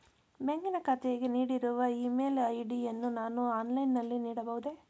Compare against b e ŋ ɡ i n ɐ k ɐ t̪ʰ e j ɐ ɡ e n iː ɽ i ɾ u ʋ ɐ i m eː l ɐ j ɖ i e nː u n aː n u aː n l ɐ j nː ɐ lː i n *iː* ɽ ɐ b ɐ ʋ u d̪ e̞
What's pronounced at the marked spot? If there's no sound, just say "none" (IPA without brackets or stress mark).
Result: iː